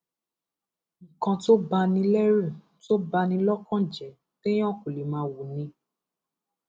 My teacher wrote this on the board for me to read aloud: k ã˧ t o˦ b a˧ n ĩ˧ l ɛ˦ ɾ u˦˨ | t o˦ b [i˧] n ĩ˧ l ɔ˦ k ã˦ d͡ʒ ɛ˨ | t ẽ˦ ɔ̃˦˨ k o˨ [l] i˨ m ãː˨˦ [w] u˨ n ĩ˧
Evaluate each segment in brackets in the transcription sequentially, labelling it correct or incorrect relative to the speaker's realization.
incorrect: a˧, correct, correct

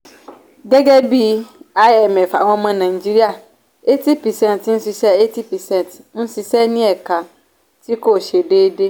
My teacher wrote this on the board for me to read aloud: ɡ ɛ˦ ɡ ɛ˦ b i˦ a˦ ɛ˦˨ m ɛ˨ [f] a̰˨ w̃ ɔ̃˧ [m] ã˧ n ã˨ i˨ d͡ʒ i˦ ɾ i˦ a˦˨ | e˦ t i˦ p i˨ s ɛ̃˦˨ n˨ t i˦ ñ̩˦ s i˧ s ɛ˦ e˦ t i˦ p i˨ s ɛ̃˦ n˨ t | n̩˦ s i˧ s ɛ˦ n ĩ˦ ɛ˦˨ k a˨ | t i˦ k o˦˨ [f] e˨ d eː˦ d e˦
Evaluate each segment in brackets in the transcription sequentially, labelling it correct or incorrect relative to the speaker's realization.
correct, correct, incorrect: ʃ

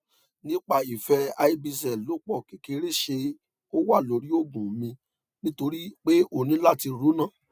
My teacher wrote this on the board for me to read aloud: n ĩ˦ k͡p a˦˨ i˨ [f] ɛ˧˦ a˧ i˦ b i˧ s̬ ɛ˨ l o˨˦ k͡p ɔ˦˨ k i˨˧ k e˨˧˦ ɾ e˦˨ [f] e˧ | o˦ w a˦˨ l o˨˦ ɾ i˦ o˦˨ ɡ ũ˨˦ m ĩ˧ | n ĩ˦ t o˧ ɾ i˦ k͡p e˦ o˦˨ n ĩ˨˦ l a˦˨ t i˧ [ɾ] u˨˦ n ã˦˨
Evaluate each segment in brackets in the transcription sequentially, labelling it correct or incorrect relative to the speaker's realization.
correct, incorrect: ʃ, correct

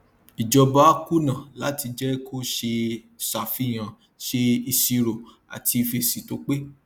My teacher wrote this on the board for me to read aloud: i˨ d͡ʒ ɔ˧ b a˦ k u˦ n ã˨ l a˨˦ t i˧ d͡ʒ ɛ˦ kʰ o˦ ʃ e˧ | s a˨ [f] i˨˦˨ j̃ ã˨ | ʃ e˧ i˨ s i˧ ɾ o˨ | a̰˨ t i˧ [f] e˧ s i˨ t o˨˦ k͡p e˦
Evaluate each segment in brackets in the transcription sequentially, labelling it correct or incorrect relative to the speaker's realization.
correct, correct

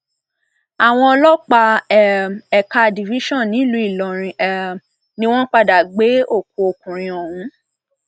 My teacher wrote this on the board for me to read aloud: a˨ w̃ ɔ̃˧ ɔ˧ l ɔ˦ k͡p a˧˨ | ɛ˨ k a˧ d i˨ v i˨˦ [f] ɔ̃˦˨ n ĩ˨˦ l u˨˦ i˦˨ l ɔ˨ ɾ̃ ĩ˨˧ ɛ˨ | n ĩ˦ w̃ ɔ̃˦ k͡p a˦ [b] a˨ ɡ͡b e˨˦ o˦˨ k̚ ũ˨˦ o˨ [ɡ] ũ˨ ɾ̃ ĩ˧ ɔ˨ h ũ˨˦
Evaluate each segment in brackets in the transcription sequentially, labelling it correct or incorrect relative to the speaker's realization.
incorrect: ʃ, incorrect: d, incorrect: k

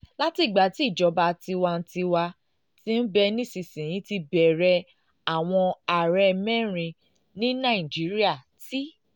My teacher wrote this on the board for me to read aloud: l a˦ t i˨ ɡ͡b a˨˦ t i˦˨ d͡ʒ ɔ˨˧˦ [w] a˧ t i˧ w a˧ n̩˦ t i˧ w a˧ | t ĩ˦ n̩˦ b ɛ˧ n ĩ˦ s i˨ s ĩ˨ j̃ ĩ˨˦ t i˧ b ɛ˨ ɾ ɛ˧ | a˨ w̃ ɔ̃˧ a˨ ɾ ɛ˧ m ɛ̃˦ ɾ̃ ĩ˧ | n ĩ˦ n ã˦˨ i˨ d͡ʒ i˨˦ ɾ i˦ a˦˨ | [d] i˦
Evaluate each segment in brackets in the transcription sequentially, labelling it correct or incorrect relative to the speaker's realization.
incorrect: b, incorrect: t

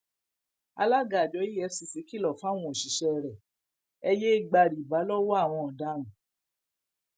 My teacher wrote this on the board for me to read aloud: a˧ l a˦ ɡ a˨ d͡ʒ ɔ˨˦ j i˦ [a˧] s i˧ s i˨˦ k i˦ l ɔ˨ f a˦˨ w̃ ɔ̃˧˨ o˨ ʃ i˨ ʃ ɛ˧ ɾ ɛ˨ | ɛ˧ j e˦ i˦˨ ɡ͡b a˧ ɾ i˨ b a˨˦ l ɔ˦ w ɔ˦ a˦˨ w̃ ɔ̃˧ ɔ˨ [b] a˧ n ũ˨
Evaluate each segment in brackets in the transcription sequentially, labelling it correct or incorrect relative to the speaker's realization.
incorrect: ɛ˧, incorrect: d

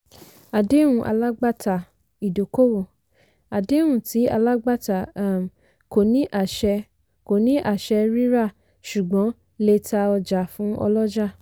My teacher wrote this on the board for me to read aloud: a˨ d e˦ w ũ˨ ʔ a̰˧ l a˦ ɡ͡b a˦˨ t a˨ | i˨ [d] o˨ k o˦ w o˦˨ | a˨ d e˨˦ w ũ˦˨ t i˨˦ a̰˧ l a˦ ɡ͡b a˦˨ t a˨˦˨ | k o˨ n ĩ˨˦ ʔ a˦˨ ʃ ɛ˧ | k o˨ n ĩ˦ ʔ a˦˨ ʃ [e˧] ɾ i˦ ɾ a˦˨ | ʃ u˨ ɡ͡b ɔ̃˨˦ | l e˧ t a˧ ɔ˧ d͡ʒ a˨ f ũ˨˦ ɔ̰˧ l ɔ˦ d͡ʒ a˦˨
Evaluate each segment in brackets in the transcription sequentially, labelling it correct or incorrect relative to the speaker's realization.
correct, incorrect: ɛ˧

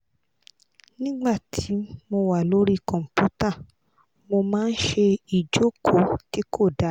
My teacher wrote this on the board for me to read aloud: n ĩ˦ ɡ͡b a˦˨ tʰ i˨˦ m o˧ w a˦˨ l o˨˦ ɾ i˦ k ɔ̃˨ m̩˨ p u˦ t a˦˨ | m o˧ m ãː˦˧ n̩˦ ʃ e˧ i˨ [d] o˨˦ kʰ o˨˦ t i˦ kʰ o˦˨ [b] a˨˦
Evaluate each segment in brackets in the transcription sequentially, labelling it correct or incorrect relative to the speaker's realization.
incorrect: d͡ʒ, incorrect: d

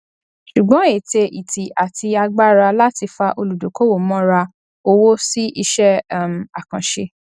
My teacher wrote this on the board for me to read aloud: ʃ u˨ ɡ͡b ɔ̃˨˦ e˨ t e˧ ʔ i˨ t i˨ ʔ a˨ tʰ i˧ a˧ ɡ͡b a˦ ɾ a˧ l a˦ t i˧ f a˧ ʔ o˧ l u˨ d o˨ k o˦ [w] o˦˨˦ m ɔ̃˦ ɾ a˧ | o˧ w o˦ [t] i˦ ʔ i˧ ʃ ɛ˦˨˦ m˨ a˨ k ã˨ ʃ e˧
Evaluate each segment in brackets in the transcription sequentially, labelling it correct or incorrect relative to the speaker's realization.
correct, incorrect: s

